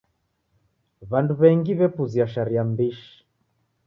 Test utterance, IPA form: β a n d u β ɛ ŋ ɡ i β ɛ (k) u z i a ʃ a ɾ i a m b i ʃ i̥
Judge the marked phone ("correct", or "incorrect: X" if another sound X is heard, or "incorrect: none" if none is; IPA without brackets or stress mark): incorrect: p